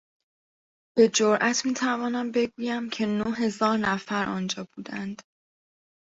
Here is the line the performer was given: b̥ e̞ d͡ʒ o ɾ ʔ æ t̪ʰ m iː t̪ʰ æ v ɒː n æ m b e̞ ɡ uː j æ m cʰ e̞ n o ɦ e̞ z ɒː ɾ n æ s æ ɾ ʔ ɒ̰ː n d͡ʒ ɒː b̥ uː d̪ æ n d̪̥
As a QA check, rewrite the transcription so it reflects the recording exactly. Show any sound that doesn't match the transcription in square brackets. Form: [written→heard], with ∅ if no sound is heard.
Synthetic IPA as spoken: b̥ e̞ d͡ʒ o ɾ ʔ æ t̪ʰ m iː t̪ʰ æ v ɒː n æ m b e̞ ɡ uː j æ m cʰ e̞ n o ɦ e̞ z ɒː ɾ n æ [s→f] æ ɾ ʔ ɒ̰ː n d͡ʒ ɒː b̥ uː d̪ æ n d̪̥